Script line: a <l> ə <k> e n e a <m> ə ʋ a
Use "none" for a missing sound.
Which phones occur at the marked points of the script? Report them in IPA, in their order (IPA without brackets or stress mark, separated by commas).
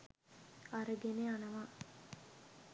ɾ, ɡ, n